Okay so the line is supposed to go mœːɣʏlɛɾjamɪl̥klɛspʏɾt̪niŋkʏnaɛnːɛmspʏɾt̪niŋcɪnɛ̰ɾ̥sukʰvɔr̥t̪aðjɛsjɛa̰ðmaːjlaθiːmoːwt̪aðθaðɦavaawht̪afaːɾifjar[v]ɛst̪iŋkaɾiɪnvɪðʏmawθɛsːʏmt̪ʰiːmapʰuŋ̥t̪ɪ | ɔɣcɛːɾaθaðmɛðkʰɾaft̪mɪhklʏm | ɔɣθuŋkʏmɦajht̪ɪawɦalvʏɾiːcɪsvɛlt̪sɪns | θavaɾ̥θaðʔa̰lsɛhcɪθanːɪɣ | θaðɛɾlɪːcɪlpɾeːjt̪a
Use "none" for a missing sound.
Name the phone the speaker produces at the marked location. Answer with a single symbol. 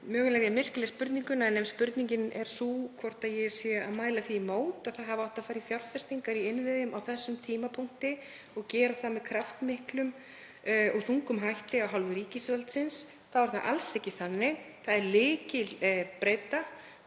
f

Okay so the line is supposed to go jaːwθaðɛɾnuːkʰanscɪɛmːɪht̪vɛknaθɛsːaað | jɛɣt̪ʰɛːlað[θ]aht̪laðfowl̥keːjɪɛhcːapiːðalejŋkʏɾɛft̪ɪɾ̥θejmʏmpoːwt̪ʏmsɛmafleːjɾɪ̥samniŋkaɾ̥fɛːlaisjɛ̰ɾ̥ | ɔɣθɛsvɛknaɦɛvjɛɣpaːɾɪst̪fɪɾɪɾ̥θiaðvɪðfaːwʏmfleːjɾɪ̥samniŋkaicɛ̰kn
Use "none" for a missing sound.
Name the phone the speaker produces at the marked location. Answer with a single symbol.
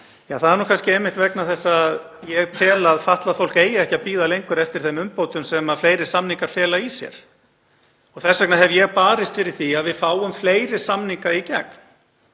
f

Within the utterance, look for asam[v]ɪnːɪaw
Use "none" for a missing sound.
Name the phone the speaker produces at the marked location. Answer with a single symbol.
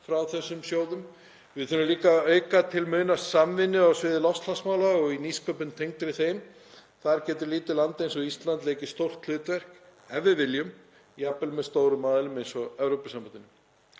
v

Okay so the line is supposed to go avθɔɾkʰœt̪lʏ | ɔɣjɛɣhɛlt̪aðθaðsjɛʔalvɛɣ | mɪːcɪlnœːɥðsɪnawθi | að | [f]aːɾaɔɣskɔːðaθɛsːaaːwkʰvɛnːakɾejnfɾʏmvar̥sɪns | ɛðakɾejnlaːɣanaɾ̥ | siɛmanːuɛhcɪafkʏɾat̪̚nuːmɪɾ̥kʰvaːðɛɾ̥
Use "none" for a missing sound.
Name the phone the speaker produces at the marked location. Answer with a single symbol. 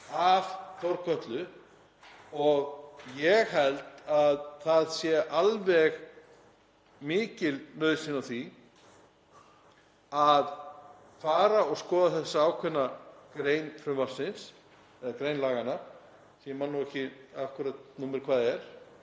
f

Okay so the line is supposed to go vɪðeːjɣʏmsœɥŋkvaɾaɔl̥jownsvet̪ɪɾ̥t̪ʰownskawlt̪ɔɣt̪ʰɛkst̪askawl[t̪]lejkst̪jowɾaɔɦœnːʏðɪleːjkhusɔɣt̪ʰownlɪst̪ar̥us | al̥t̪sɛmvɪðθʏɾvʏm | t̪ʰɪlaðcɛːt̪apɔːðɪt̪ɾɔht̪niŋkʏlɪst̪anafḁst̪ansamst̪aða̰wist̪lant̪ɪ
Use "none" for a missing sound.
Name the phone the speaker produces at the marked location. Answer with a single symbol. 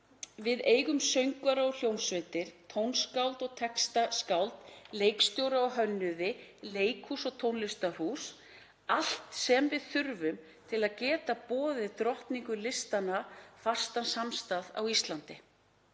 t̪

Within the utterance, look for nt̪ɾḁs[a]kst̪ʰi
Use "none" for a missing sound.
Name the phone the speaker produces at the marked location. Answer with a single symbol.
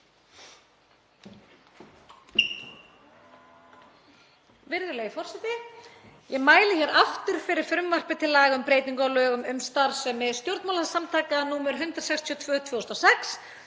ɛ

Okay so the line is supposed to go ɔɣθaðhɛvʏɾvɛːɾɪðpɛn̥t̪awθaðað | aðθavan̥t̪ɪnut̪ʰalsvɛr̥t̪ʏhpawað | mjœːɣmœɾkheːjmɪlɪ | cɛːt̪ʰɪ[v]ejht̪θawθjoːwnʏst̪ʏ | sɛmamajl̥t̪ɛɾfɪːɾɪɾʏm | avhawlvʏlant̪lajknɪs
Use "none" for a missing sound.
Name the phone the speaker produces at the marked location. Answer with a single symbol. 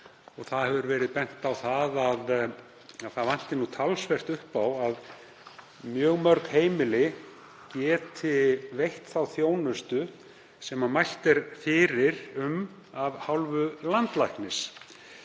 v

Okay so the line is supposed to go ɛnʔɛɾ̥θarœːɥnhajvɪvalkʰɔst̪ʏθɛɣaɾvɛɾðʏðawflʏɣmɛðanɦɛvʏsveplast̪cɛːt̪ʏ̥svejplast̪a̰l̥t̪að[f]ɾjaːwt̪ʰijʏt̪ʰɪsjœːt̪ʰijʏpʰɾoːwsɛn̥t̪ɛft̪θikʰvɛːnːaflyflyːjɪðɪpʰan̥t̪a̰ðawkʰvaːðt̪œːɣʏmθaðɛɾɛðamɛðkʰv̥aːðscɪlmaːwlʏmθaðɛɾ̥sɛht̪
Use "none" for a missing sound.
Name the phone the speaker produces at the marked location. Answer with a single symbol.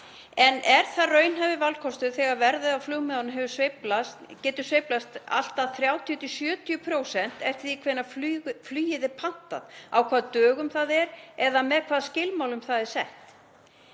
θ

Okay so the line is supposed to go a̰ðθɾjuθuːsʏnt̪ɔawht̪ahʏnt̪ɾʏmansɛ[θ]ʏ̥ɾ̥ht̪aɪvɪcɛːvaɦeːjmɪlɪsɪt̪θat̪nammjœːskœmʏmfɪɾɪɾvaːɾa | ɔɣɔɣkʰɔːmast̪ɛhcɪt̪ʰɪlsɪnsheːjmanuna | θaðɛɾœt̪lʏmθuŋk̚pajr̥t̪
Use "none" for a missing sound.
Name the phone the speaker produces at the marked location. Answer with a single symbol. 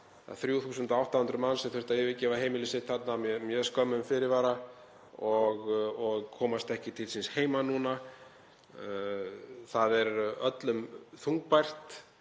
θ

